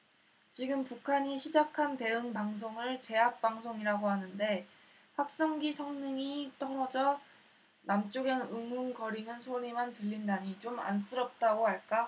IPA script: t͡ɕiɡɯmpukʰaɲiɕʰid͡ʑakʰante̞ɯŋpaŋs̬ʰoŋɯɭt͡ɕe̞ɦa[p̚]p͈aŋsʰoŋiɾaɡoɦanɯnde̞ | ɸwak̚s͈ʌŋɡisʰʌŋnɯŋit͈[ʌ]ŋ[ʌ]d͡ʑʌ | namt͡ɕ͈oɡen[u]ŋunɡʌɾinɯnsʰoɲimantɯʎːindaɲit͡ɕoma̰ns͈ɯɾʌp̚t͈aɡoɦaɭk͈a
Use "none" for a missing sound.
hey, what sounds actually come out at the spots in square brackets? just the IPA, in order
k̚, ʌ, ʌ, ɯ

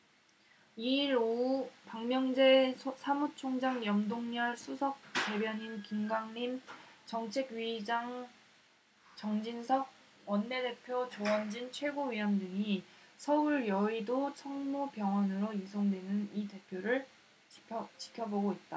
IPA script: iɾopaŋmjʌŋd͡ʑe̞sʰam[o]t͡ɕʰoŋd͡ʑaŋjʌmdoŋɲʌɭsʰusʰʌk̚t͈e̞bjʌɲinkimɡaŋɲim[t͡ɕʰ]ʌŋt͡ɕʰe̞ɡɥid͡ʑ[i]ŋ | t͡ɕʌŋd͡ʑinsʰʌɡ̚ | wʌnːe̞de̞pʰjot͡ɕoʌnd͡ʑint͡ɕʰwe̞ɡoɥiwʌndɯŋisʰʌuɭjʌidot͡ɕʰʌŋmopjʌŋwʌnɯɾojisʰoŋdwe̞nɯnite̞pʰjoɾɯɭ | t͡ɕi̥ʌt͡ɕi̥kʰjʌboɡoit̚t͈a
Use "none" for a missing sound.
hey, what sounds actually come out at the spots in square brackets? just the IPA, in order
u, t͡ɕ, a

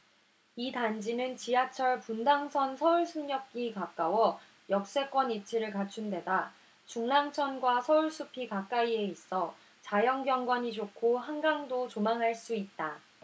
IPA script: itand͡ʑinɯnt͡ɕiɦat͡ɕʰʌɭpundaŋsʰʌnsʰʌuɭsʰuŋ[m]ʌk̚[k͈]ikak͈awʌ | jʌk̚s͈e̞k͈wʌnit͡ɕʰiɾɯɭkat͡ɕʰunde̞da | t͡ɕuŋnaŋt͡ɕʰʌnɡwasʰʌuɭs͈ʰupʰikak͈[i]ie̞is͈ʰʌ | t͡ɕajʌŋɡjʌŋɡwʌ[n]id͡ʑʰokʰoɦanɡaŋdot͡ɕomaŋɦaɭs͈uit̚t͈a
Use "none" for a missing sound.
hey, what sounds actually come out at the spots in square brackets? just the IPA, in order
ɲ, k͈, a, ɲ

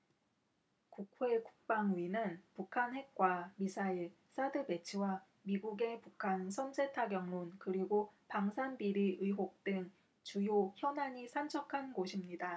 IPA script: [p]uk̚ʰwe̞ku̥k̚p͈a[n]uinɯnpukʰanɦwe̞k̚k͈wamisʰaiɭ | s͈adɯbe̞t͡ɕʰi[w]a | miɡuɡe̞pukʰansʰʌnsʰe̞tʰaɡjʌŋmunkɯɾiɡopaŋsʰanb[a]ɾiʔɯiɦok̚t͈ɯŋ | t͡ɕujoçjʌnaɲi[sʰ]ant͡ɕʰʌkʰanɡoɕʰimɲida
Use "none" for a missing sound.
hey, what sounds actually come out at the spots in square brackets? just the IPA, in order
k, ŋ, w, i, sʰ

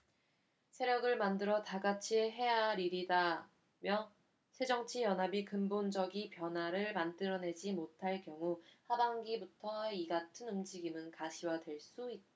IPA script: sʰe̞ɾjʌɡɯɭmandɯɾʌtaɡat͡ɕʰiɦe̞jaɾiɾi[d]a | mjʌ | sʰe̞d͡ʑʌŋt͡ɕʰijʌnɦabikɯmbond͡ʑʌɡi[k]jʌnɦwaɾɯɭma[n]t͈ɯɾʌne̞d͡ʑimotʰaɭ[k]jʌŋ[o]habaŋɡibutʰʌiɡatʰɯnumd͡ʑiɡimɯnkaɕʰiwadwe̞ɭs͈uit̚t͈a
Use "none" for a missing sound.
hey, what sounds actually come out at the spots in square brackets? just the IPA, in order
d, p, n, k, u

